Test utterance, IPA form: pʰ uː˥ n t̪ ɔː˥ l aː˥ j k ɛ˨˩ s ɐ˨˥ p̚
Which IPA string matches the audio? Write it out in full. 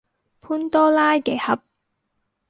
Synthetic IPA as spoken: pʰ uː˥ n t̪ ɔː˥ l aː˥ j k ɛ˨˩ h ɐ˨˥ p̚